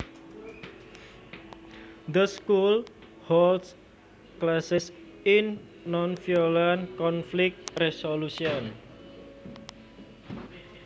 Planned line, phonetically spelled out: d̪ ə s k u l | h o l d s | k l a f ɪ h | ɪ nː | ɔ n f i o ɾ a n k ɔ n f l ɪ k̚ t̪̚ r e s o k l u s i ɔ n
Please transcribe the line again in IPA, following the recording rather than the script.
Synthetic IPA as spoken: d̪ ə s k u l | h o l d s | k l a s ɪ s | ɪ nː | ɔ n f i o l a n k ɔ n f l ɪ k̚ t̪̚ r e s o l u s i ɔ n

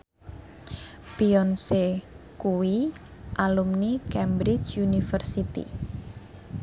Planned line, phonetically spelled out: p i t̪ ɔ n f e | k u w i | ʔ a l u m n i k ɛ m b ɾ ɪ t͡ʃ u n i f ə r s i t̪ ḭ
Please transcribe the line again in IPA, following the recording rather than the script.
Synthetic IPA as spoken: p i ɔ n s e | k u w i | ʔ a l u m n i k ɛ m b ɾ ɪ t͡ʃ u n i f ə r s i t̪ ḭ

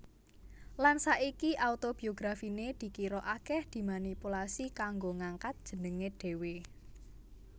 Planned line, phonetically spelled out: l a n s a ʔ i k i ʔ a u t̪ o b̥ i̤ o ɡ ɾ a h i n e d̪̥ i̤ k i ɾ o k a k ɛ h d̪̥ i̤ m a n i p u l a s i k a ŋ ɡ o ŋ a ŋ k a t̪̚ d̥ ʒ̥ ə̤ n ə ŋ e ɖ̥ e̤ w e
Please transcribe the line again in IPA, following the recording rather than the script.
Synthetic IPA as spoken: l a n s a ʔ i k i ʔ a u t̪ o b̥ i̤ o ɡ ɾ a f i n e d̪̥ i̤ k i ɾ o ʔ a k ɛ h d̪̥ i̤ m a n i p u l a s i k a ŋ ɡ o ŋ a ŋ k a t̪̚ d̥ ʒ̥ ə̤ n ə ŋ e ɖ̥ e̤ w e

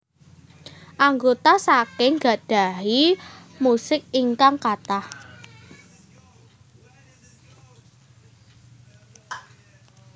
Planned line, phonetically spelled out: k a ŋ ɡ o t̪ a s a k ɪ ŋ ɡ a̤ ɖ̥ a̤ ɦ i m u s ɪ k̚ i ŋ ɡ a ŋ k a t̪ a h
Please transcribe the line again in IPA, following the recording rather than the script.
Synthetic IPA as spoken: ʔ a ŋ ɡ o t̪ a s a k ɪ ŋ ɡ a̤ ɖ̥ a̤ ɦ i m u s ɪ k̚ i ŋ k a ŋ k a t̪ a h

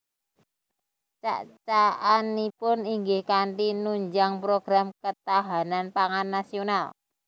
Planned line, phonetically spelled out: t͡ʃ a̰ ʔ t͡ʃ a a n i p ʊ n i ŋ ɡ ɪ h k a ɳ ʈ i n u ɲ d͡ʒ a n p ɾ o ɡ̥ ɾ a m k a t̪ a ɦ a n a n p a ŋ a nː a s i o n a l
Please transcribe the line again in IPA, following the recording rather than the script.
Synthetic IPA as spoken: t͡ʃ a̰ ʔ t͡ʃ a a n i p ʊ n i ŋ ɡ ɪ h k a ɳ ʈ i n u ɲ d͡ʒ a ŋ p ɾ o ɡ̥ ɾ a m k ə t̪ a ɦ a n a n p a ŋ a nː a s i o n a l

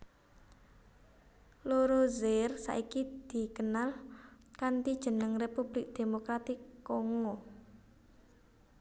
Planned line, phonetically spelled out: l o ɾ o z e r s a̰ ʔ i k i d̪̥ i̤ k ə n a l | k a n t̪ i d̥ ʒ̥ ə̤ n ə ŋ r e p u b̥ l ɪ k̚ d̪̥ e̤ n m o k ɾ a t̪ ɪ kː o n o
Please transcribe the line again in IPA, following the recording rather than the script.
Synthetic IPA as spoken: l o ɾ o z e r s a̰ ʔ i k i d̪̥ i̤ k ə n a l | k a n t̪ i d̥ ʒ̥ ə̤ n ə ŋ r e p u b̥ l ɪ k̚ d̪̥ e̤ m o k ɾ a t̪ ɪ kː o ŋ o

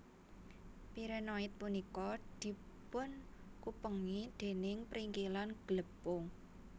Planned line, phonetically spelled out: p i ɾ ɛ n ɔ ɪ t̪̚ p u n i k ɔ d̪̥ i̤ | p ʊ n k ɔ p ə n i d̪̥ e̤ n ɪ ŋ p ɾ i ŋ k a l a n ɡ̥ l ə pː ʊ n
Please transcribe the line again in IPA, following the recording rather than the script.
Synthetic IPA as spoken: p i ɾ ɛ n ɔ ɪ t̪̚ p u n i k ɔ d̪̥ i̤ | p ʊ n k u p ə ŋ i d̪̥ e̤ n ɪ ŋ p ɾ i ŋ k i l a n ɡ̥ l ə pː ʊ ŋ

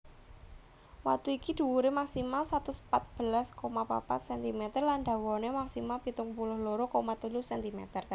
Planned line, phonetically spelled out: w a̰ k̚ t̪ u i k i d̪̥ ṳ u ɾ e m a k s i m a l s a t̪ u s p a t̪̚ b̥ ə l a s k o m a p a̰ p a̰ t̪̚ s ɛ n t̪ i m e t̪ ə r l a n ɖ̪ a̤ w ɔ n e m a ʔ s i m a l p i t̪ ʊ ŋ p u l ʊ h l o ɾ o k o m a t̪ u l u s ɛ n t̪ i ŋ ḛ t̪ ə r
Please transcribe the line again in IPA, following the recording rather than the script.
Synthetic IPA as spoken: w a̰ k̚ t̪ u i k i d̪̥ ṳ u ɾ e m a k s i m a l s a t̪ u s p a t̪̚ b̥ ə l a s k o m a p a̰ p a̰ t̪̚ s ɛ n t̪ i m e t̪ ə r l a n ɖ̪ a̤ w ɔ n e m a k s i m a l p i t̪ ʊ ŋ p u l ʊ h l o ɾ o k o m a t̪ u l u s ɛ n t̪ i m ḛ t̪ ə r

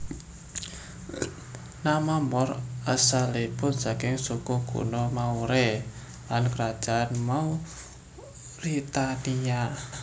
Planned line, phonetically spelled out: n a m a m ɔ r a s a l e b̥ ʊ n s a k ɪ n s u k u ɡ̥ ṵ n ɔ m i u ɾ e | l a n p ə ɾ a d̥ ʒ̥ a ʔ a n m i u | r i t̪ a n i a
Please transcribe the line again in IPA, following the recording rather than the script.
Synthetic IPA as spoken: n a m a m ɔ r a s a l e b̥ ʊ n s a k ɪ ŋ s u k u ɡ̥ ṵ n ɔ m a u ɾ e | l a n k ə ɾ a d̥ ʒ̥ a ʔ a n m a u | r i t̪ a n i a

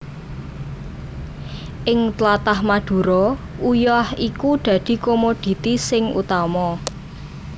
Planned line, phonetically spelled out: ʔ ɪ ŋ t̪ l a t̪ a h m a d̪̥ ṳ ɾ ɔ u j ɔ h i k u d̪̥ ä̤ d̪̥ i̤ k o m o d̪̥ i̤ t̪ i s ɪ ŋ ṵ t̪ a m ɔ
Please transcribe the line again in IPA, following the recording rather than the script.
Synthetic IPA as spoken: ʔ ɪ ŋ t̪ l a t̪ a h m a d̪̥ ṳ ɾ ɔ u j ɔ h i k u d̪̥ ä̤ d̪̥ i̤ k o m o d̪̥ i̤ t̪ i s ɪ ŋ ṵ t̪ a m ɔ

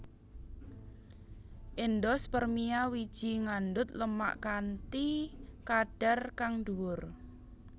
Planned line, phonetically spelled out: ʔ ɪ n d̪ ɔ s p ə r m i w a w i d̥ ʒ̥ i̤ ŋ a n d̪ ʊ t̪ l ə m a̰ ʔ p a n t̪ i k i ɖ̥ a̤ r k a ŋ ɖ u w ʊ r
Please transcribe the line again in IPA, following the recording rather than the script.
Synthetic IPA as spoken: ʔ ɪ n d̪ ɔ s p ə r m i a w i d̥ ʒ̥ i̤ ŋ a n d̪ ʊ t̪ l ə m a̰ ʔ k a n t̪ i k a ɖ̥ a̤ r k a ŋ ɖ u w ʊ r

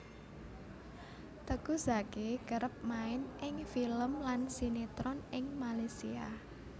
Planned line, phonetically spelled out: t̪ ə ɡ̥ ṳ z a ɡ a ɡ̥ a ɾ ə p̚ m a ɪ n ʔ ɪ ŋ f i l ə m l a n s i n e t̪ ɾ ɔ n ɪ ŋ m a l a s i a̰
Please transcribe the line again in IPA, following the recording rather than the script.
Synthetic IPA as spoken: t̪ ə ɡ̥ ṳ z a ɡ e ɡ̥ ə ɾ ə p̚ m a ɪ n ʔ ɪ ŋ f i l ə m l a n s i n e t̪ ɾ ɔ n ɪ ŋ m a l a s i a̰

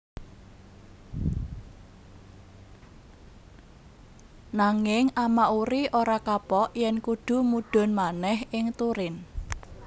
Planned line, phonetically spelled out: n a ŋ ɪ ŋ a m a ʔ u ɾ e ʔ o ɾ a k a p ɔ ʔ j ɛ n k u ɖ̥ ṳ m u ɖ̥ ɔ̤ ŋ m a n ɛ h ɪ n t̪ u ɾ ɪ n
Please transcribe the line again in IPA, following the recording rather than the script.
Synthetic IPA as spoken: n a ŋ ɪ ŋ a m a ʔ u ɾ i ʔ o ɾ a k a p ɔ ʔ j ɛ n k u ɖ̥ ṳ m u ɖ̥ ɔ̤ n m a n ɛ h ɪ ŋ t̪ u ɾ ɪ n

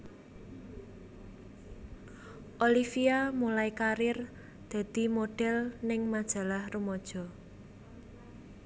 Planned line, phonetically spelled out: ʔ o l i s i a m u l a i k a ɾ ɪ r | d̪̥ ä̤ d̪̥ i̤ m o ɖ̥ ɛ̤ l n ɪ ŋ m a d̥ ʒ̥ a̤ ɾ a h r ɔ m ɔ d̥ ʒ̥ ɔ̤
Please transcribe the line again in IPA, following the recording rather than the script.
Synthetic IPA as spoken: ʔ o l i f i a m u l a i k a ɾ ɪ r | d̪̥ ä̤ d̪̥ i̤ m o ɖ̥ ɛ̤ l n ɪ ŋ m a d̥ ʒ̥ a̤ l a h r u m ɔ d̥ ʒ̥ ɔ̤

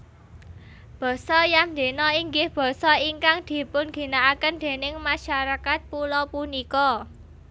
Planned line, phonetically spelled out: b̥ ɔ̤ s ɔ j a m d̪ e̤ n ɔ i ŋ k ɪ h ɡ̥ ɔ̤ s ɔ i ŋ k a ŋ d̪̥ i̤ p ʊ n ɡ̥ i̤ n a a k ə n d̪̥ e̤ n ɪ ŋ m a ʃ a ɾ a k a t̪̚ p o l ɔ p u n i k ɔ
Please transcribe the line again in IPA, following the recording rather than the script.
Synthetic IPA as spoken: b̥ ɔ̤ s ɔ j a m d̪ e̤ n ɔ i ŋ ɡ ɪ h b̥ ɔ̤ s ɔ i ŋ k a ŋ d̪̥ i̤ p ʊ n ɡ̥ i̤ n a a k ə n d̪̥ e̤ n ɪ ŋ m a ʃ a ɾ a k a t̪̚ p u l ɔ p u n i k ɔ

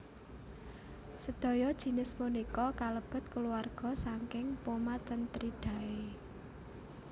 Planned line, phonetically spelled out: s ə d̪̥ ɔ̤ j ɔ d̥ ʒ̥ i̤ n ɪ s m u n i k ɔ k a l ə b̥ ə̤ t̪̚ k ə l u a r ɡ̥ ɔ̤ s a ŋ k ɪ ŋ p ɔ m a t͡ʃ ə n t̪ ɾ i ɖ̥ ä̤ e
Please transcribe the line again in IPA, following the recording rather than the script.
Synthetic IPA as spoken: s ə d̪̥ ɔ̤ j ɔ d̥ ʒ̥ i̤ n ɪ s m u n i k ɔ k a l ə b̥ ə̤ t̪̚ k ə l u a r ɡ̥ ɔ̤ s a ŋ k ɪ ŋ p o m a t͡ʃ ə n t̪ ɾ i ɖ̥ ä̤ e

